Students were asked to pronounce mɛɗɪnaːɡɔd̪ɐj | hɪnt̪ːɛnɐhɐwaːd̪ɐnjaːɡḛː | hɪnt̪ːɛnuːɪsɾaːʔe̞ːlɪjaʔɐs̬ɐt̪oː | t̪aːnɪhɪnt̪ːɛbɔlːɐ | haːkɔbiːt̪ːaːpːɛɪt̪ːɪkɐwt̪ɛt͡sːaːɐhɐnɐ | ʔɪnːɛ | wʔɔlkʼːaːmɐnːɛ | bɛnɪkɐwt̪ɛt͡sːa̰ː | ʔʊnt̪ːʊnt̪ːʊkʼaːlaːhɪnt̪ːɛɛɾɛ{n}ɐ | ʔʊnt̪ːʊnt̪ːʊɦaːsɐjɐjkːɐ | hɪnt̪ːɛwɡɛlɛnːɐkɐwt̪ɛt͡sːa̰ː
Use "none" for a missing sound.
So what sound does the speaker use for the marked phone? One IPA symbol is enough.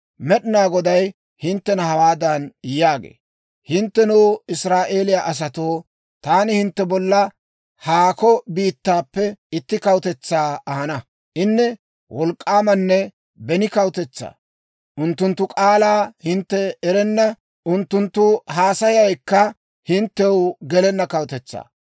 nː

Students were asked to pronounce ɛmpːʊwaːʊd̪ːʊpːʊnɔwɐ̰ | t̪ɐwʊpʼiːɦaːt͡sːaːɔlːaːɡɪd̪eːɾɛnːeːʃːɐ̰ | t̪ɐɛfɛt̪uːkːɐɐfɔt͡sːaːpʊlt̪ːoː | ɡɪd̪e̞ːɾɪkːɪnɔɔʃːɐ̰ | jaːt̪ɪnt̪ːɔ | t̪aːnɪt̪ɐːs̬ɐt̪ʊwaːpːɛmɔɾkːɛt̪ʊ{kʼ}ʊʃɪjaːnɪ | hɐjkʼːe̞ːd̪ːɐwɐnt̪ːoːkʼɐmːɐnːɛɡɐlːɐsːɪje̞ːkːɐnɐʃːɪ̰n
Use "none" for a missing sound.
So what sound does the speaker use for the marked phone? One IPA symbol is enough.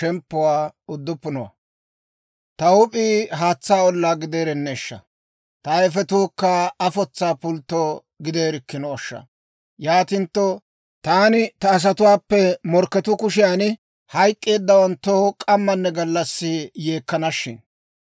k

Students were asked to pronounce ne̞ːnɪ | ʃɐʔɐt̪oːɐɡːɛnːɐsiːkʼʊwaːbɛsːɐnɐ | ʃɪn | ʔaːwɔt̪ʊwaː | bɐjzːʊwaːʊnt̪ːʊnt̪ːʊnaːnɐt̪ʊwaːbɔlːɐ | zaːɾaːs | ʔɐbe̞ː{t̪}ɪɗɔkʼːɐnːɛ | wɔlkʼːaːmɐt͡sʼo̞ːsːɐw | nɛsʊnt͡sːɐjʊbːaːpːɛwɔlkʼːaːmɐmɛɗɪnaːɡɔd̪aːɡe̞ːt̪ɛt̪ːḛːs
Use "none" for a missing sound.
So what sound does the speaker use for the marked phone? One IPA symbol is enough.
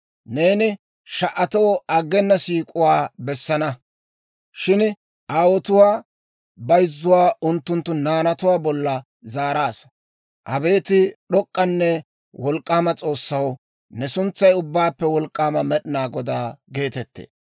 t̪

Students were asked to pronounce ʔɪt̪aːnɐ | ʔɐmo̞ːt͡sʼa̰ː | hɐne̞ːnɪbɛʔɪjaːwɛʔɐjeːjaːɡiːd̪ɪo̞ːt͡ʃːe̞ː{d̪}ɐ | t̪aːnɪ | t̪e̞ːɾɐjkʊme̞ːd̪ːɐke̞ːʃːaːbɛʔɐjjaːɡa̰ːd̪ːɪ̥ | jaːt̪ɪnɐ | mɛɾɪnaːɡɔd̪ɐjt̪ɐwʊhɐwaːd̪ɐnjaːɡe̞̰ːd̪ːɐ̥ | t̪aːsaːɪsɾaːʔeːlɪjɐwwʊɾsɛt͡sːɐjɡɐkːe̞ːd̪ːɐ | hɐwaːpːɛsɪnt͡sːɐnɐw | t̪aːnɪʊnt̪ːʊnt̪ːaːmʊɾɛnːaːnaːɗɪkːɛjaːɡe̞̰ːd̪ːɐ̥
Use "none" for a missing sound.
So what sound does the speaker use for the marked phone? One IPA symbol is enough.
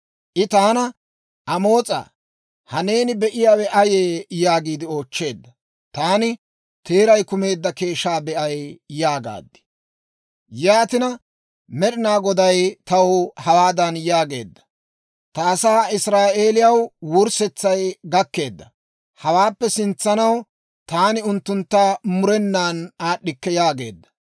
d̪ː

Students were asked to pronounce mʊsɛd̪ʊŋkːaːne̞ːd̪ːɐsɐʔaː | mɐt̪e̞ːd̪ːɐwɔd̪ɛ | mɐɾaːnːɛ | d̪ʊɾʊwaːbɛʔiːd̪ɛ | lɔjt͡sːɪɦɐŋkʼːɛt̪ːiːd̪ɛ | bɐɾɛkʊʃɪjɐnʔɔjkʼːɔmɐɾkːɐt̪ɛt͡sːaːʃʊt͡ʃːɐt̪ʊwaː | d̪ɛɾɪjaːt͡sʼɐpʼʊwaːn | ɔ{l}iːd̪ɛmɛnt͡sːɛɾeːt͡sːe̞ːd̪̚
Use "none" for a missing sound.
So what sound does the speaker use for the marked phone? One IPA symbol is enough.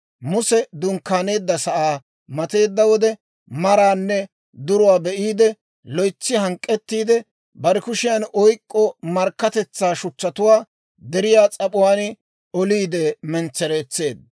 l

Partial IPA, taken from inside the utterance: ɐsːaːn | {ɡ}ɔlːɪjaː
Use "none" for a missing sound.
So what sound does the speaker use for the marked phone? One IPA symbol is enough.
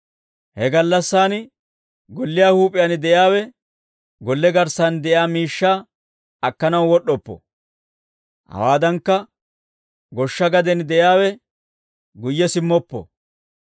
ɡ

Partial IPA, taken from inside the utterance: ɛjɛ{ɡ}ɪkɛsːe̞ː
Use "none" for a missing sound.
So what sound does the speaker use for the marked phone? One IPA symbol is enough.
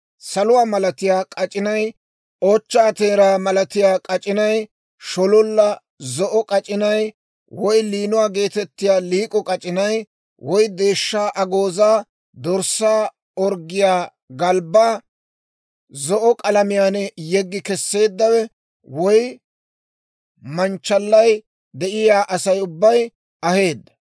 ɡː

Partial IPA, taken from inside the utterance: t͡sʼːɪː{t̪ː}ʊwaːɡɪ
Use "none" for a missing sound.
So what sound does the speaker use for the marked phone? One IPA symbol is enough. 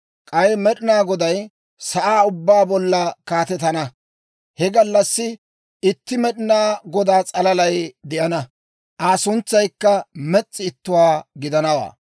t̪ː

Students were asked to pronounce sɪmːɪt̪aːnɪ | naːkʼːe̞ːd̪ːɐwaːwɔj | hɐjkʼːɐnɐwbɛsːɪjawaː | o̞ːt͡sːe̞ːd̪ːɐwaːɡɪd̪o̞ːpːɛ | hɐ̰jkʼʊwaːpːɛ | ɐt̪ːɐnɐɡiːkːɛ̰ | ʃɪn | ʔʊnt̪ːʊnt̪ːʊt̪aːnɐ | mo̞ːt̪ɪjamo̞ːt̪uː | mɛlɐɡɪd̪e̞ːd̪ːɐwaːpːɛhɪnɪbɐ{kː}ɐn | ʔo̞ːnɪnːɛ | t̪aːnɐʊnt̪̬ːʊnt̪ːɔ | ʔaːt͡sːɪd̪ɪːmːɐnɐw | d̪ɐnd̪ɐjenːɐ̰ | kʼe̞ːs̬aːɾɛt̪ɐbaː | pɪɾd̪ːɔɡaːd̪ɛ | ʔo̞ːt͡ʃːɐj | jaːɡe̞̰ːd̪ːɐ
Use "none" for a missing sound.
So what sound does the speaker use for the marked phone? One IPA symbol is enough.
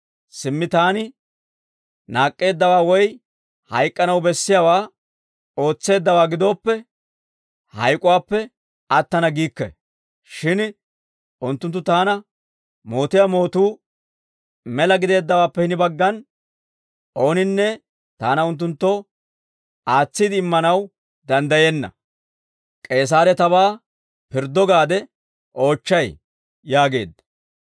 ɡː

